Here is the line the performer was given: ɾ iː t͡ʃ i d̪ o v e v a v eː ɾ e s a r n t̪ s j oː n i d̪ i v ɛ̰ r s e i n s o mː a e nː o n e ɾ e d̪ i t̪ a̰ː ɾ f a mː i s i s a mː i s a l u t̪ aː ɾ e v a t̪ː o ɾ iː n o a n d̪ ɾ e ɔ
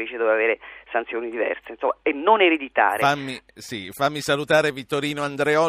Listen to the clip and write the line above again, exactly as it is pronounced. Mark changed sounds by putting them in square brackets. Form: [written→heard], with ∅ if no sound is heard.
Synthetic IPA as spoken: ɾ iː t͡ʃ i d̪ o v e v a v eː ɾ e s a [r→∅] n t̪ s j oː n i d̪ i v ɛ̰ r s e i n s o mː a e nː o n e ɾ e d̪ i t̪ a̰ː ɾ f a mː i s i [s→f] a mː i s a l u t̪ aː ɾ e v [a→i] t̪ː o ɾ iː n o a n d̪ ɾ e ɔ